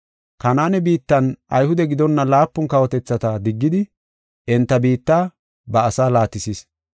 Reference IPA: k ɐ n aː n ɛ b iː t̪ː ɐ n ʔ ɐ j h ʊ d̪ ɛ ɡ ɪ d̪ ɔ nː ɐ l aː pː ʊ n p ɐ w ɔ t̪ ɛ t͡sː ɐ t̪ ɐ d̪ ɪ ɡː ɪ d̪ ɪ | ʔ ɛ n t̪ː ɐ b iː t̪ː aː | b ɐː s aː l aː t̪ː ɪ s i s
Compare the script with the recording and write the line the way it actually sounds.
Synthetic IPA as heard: k ɐ n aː n ɛ b iː t̪ː ɐ n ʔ ɐ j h ʊ d̪ ɛ ɡ ɪ d̪ ɔ nː ɐ l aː pː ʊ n k ɐ w ɔ t̪ ɛ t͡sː ɐ t̪ ɐ d̪ ɪ ɡː ɪ d̪ ɪ | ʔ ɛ n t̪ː ɐ b iː t̪ː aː | b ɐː s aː l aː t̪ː ɪ s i s